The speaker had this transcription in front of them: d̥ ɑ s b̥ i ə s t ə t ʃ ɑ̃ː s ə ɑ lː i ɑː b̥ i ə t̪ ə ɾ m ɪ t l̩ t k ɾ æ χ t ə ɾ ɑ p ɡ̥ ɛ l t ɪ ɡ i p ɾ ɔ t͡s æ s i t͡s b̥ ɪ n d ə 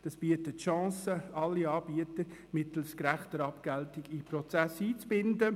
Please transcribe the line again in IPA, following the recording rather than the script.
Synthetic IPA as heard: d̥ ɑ s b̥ i ə t ə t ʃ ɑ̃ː s ə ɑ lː i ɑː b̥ i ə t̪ ə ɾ m ɪ t l̩ s k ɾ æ χ t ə ɾ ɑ p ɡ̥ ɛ l t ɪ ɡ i p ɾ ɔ t͡s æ s iː t͡s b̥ ɪ n d ə